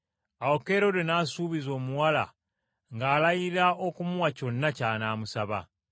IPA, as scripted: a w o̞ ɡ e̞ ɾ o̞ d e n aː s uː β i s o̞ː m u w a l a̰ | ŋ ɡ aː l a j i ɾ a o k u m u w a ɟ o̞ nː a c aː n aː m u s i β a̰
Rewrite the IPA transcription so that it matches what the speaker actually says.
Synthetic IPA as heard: a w o̞ k e̞ ɾ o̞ d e n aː s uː β i z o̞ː m u w a l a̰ | ŋ ɡ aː l a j i ɾ a o k u m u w a c o̞ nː a c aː n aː m u s a β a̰